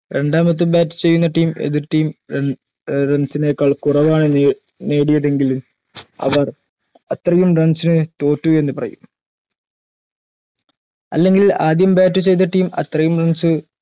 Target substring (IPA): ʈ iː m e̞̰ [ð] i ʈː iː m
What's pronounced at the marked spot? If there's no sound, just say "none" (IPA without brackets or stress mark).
ð